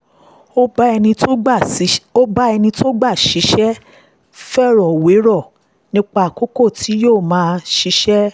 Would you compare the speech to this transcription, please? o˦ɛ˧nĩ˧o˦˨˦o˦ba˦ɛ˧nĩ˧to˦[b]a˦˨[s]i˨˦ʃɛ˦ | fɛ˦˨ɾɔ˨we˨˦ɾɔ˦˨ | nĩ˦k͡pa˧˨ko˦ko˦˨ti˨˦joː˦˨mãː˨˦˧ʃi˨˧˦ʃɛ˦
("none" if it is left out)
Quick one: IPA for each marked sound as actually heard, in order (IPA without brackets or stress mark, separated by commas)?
ɡ͡b, ʃ